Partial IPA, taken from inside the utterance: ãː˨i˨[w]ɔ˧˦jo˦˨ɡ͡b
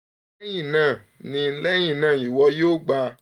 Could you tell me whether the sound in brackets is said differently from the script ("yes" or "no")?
no